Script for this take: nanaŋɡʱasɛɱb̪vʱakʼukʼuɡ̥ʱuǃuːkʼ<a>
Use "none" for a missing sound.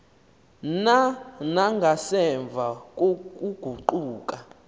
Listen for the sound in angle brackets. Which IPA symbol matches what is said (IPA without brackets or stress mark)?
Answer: a